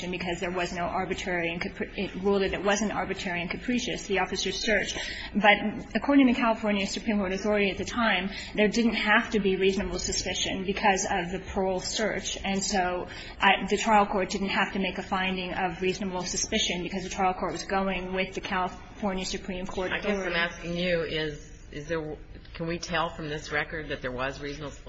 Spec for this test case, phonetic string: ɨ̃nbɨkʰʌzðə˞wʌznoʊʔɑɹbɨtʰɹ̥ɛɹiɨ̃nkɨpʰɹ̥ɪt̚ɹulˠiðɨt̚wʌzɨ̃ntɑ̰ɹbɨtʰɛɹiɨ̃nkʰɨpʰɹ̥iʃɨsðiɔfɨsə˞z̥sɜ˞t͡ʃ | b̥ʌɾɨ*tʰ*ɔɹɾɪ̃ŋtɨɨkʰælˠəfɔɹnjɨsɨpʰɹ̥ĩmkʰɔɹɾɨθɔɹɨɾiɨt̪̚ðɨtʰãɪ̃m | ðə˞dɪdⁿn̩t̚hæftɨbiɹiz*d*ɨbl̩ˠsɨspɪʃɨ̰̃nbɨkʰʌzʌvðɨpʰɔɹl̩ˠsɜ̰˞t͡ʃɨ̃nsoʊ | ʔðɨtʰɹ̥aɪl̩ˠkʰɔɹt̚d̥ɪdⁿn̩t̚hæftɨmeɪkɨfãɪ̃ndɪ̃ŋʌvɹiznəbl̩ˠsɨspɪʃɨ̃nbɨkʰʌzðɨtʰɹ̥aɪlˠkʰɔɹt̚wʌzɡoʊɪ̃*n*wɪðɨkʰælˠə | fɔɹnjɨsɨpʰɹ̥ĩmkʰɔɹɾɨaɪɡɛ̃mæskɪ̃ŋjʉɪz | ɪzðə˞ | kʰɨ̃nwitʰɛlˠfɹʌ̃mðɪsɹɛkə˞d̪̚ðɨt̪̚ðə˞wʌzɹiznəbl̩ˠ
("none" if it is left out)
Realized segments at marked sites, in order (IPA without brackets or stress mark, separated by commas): kʰ, n, ŋ